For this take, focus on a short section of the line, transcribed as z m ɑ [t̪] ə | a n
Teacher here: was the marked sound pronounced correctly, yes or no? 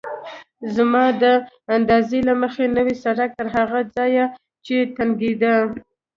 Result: no